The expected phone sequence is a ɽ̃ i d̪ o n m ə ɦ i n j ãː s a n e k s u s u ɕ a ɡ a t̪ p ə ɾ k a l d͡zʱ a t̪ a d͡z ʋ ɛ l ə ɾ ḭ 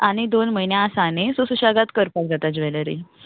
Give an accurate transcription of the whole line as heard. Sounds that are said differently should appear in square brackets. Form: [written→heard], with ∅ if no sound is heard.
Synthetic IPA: a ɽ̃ i d̪ o n m ə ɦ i n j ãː s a n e [k→∅] s u s u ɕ a ɡ a t̪ [p→k] ə ɾ [k→p] a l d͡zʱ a t̪ a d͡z ʋ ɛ l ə ɾ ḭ